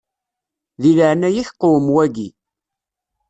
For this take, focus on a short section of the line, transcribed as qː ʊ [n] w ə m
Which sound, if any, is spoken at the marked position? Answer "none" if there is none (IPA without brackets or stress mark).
none